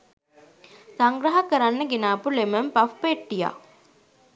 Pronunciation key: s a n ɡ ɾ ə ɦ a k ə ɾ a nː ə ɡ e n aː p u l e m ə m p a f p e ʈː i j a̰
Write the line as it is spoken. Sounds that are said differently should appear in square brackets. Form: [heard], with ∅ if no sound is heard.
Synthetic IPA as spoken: s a [ŋ] ɡ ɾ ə ɦ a k ə ɾ a nː ə ɡ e n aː p u l e m ə m p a f p e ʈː i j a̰